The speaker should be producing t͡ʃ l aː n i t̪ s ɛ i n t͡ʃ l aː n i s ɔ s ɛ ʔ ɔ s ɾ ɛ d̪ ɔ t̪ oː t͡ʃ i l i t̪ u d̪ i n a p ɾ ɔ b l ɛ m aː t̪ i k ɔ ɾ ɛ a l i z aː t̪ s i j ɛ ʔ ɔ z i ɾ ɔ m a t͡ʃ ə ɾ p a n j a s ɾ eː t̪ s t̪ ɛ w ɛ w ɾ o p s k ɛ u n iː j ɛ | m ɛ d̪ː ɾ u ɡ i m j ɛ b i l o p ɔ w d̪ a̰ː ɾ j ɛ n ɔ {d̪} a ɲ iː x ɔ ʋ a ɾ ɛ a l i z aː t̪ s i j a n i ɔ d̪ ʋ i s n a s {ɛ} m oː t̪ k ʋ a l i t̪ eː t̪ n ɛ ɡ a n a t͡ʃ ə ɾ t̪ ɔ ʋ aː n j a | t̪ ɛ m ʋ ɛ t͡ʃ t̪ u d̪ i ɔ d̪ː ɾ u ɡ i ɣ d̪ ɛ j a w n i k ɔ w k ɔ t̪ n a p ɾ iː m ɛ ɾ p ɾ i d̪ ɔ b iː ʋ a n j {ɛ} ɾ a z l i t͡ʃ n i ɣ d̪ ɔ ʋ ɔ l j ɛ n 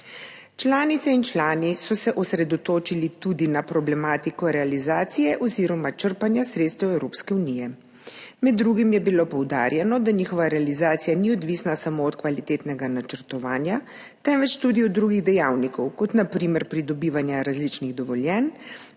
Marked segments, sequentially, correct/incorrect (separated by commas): correct, incorrect, incorrect